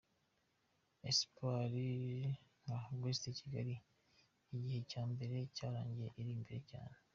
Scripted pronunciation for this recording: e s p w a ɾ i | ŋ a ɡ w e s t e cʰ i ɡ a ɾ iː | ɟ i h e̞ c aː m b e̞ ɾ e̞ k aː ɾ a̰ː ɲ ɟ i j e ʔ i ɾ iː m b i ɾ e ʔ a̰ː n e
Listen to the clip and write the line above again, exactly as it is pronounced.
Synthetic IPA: e s p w a ɾ i | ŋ a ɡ w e s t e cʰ i ɡ a ɾ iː | ɟ i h e̞ c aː m b e̞ ɾ e̞ c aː ɾ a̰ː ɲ ɟ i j e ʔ i ɾ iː m b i ɾ e c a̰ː n e